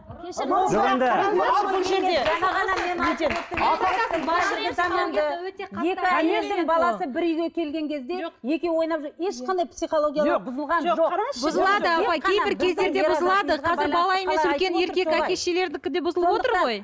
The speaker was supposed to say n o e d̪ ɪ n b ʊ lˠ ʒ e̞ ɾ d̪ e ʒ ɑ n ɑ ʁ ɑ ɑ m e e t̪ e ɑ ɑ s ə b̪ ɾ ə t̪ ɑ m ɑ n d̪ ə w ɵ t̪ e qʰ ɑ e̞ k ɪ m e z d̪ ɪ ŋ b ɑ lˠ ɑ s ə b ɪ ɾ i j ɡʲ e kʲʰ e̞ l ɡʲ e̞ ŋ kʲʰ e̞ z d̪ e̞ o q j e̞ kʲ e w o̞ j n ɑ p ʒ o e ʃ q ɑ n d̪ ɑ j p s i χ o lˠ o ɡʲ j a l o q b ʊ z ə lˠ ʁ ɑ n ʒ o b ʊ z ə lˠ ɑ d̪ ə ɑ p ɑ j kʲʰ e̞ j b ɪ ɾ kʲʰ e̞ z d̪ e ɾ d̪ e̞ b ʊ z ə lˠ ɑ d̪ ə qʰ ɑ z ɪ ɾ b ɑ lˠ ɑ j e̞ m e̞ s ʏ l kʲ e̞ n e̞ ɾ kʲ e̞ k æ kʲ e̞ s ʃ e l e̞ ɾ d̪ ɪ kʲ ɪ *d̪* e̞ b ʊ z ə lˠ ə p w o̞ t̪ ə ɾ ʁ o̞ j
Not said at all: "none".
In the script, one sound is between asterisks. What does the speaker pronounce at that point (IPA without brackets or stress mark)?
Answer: d̪